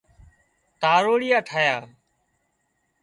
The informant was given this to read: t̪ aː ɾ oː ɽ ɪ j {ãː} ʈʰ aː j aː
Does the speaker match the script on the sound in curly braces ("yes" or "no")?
no